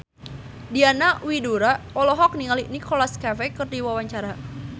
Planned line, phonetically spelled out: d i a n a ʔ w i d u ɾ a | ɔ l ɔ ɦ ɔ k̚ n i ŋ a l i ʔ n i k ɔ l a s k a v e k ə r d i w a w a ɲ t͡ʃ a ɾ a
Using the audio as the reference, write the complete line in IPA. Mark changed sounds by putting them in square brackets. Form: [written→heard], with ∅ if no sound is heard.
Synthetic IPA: d i a n a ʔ w i d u ɾ a | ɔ l ɔ ɦ ɔ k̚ n i ŋ a l i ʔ n i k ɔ l a s k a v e k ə r d i w a w a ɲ t͡ʃ a ɾ a